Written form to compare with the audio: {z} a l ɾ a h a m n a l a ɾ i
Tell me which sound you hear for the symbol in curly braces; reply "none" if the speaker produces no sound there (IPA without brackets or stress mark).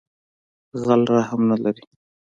ɣ